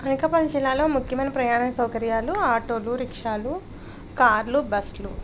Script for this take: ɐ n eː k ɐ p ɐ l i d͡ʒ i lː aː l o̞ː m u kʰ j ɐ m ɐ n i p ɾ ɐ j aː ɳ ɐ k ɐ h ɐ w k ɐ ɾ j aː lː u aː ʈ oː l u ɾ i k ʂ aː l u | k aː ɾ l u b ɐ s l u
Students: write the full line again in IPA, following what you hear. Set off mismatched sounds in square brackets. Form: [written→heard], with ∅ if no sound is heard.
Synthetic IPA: ɐ n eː k ɐ p ɐ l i d͡ʒ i lː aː l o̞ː m u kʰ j ɐ m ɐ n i p ɾ ɐ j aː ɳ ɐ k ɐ [h→s] ɐ w k ɐ ɾ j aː [lː→l] u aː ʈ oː l u ɾ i k ʂ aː l u | k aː ɾ l u b ɐ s l u